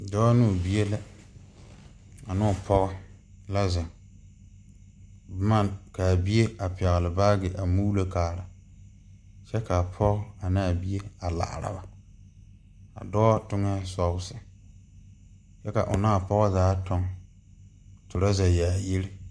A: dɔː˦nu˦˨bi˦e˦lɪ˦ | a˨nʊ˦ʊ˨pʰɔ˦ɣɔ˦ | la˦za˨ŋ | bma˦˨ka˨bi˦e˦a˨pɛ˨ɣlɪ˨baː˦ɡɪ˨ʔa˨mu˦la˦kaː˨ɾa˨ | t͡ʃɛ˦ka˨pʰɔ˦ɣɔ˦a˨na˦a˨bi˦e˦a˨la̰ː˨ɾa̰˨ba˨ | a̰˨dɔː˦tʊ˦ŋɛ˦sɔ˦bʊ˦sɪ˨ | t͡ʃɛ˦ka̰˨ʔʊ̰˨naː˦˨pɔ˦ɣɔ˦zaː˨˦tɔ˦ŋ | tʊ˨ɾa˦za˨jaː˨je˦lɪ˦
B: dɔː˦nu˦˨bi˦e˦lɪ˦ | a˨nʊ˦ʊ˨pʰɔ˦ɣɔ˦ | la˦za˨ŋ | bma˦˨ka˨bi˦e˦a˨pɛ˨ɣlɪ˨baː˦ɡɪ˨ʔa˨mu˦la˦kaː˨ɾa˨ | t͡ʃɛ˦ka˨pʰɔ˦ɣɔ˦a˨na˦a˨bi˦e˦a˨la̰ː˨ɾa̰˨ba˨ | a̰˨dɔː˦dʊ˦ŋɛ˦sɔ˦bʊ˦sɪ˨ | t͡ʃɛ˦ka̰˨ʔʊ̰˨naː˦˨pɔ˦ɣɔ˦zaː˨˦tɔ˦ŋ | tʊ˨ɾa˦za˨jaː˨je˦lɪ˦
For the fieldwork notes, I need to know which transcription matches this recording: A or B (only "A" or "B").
A